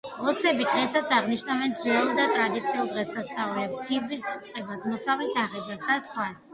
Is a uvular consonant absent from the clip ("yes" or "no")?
no